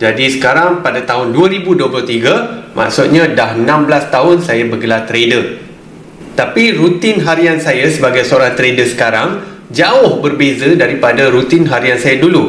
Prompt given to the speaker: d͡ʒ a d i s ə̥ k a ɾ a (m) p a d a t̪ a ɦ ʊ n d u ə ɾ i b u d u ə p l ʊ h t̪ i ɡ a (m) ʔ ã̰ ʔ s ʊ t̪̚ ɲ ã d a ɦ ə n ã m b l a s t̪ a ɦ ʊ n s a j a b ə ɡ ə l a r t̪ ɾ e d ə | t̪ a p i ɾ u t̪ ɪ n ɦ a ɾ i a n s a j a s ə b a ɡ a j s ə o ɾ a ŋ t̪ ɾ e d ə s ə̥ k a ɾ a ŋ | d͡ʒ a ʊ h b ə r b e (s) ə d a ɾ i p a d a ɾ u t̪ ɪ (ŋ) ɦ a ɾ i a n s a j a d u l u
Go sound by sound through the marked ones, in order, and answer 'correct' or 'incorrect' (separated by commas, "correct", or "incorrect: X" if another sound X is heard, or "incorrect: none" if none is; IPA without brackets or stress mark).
incorrect: ŋ, correct, incorrect: z, incorrect: n